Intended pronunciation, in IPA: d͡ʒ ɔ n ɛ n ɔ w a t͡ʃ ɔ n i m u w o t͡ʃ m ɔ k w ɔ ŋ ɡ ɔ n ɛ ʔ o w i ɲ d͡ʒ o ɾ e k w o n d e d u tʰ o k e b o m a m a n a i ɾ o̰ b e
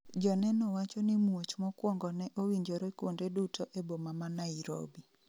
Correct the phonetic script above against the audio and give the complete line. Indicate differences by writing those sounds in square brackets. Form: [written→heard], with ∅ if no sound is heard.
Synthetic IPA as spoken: d͡ʒ ɔ n ɛ n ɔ w a t͡ʃ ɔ n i m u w o t͡ʃ m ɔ k w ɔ ŋ ɡ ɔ n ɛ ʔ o w i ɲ d͡ʒ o ɾ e k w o n d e d u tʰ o [k→ʔ] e b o m a m a n a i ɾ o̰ b [e→i]

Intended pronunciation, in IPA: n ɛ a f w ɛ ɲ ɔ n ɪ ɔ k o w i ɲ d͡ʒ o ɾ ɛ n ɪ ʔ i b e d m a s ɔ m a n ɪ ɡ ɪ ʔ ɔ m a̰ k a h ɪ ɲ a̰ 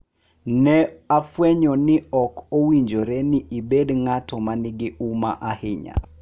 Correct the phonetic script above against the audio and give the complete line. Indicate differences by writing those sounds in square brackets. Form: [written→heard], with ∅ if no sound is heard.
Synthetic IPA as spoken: n ɛ a f w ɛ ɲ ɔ n ɪ ɔ k o w i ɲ d͡ʒ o ɾ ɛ n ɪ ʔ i b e d [m→ŋ] a [s→t] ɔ m a n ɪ ɡ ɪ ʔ [ɔ→u] m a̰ [k→ʔ] a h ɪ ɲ a̰

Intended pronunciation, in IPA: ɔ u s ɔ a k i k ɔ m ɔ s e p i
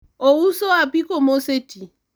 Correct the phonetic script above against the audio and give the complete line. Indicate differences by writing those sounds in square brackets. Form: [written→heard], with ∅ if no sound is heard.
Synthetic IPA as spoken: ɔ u s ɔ a [k→p] i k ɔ m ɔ s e [p→t] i

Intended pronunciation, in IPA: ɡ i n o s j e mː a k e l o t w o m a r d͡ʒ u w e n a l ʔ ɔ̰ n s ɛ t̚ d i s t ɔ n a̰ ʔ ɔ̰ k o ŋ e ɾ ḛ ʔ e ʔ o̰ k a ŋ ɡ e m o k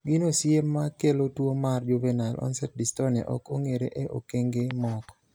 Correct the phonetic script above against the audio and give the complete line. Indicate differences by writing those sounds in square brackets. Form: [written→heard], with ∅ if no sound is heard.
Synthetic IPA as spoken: ɡ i n o s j e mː a k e l o t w o m a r d͡ʒ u [w→v] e n a l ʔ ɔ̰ n s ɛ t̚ d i s t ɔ n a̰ ʔ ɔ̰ k o ŋ e ɾ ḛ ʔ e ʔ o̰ k [a→e] ŋ ɡ e m [o→ɔ] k

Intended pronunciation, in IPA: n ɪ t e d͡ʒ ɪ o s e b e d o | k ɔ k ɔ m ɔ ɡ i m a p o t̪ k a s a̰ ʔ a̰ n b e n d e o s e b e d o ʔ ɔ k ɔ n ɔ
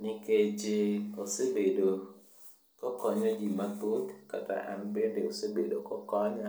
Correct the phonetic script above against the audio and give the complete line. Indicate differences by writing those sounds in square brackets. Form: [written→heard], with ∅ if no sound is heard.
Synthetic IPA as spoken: n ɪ [t→k] e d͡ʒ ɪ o s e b e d o | k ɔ k ɔ [m→ɲ] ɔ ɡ i m a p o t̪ k a [s→t] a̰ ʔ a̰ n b e n d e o s e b e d o [ʔ→k] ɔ k ɔ [n→ɲ] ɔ

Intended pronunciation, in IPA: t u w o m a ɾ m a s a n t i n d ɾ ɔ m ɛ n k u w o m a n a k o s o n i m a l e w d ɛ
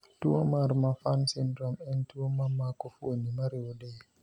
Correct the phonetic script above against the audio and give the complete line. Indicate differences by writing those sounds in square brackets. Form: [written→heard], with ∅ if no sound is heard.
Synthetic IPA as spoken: t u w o m a ɾ m a [s→f] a n [t→s] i n d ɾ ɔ m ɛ n [k→t] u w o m a [n→m] a k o [s→f] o n i m a [l→ɾ] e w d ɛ

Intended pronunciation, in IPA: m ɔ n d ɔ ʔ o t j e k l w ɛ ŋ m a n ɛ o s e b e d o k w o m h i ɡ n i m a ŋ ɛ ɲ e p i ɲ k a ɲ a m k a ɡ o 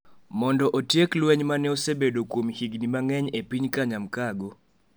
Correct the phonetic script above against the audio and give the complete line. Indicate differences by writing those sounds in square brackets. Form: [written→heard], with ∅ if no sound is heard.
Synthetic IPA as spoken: m ɔ n d ɔ ʔ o t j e k l w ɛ [ŋ→ɲ] m a n ɛ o s e b e d o k w o m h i ɡ n i m a ŋ ɛ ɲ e p i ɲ k a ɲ a m k a ɡ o

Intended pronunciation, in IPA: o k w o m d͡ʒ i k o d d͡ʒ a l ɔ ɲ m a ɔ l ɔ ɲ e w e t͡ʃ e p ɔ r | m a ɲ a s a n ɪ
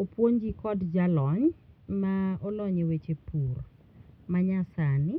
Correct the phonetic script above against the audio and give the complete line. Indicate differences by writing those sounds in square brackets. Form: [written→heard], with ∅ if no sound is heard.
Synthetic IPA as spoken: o [k→p] w o [m→ɲ] d͡ʒ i k [o→ɔ] d d͡ʒ a l ɔ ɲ m a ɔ l ɔ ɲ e w e t͡ʃ e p [ɔ→u] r | m a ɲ a s a n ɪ

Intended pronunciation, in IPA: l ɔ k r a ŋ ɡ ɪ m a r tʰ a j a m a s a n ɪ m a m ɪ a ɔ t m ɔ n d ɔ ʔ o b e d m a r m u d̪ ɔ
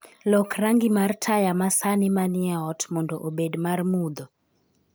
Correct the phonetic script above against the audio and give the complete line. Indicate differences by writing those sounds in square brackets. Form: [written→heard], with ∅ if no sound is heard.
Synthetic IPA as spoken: l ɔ k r a ŋ ɡ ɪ m a r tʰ a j a m a s a n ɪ m a [m→n] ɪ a ɔ t m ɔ n d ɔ ʔ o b e d m a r m u d̪ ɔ

